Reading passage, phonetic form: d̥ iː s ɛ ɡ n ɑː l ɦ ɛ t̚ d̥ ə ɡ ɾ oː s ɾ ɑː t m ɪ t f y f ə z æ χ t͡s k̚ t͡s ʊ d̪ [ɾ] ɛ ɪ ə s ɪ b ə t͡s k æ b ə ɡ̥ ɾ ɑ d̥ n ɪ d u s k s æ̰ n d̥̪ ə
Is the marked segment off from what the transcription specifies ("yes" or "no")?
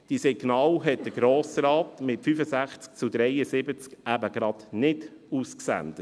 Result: no